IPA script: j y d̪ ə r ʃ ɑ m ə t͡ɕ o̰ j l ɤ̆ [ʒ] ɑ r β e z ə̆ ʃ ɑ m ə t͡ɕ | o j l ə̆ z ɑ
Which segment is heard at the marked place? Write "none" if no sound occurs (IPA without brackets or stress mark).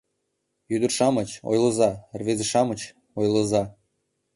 z